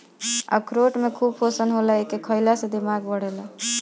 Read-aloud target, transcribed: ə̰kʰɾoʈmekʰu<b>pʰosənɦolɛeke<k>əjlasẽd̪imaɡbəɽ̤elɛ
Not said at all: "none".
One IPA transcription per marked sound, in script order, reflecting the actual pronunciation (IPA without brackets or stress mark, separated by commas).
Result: b, kʰ